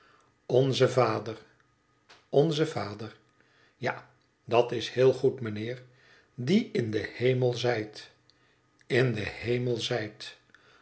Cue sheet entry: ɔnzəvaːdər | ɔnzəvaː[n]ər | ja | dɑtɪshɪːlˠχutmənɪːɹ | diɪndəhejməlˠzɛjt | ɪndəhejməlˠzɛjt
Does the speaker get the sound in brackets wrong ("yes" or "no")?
yes